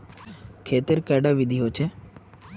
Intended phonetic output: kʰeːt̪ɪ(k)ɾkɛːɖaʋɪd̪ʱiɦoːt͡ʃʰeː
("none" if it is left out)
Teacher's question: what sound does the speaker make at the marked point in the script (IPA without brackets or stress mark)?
none